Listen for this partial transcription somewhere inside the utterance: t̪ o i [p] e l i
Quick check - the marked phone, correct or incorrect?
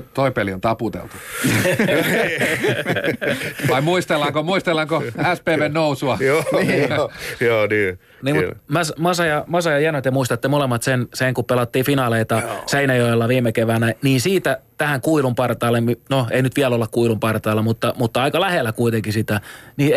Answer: correct